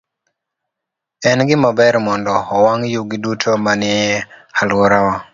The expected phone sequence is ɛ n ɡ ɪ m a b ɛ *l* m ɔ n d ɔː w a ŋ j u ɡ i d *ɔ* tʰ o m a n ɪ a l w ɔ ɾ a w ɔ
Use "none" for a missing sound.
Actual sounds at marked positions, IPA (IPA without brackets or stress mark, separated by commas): ɾ, u